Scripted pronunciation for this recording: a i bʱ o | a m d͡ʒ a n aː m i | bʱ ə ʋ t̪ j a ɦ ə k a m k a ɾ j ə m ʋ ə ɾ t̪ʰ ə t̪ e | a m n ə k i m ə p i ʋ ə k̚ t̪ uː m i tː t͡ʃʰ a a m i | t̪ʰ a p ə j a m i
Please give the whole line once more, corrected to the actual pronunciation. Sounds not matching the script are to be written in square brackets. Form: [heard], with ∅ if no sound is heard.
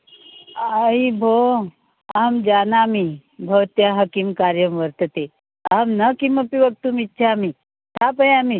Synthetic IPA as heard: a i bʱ o | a m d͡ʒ a n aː m i | bʱ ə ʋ t̪ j a ɦ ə k [i] m k a ɾ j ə m ʋ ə ɾ [t̪] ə t̪ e | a m n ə k i m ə p i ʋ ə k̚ t̪ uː m i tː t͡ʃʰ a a m i | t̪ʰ a p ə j a m i